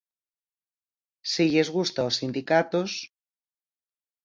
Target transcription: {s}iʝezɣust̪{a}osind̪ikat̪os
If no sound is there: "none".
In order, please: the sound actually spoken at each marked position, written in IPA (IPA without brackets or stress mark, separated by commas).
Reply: s, a